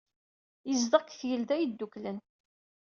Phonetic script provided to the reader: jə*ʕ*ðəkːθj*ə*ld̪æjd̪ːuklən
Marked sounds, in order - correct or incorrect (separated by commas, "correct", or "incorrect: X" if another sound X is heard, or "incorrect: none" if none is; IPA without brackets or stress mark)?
incorrect: z, correct